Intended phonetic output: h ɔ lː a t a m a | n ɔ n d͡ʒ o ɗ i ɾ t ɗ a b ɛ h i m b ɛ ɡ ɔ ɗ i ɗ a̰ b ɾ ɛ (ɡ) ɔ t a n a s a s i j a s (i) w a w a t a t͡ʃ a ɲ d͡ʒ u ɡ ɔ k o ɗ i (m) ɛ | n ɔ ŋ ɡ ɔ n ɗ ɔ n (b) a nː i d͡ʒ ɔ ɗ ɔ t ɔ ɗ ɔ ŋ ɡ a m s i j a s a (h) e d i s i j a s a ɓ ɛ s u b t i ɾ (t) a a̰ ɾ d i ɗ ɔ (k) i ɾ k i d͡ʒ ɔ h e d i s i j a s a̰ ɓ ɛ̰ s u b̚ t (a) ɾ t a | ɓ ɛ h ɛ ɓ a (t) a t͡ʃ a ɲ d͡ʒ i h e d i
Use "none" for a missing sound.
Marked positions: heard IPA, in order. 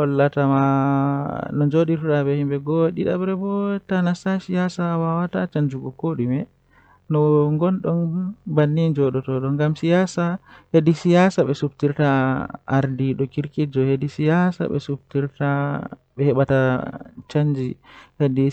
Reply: b, a, m, b, h, t, k, i, t

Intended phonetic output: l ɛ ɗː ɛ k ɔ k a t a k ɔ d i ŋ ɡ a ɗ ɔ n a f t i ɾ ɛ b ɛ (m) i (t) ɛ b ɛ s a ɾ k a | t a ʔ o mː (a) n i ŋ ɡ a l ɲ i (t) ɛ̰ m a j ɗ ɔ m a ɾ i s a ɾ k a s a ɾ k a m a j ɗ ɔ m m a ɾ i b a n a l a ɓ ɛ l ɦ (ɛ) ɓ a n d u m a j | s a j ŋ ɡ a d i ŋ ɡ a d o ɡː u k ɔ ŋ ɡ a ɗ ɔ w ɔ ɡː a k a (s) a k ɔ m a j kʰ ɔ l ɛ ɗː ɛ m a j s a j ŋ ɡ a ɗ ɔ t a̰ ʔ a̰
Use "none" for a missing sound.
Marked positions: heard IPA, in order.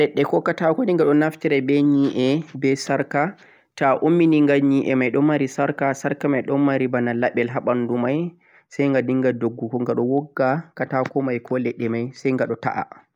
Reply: ɲ, ʔ, i, ʔ, a, t

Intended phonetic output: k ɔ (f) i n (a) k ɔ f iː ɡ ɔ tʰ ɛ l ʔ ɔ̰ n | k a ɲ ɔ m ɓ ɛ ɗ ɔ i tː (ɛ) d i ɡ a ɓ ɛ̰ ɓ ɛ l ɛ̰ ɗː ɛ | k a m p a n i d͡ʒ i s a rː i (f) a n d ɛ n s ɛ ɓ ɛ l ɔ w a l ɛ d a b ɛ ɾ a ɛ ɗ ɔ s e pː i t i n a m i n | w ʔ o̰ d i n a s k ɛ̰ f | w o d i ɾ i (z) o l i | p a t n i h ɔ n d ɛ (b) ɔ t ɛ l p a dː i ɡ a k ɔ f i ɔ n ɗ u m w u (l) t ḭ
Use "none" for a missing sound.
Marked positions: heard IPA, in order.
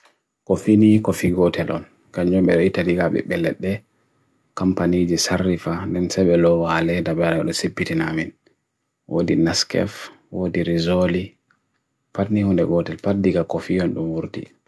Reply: f, i, a, f, z, ɡ, ɾ

